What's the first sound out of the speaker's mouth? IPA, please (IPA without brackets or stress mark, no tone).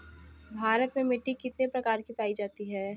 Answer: bʱ